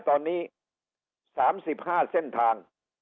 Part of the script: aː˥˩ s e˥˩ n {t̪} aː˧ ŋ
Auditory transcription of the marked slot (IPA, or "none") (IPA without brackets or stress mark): t̪ʰ